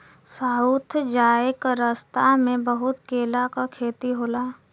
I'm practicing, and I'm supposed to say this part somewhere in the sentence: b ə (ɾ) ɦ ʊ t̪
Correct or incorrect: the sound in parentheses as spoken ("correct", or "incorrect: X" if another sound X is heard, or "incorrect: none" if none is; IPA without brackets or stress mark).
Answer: incorrect: none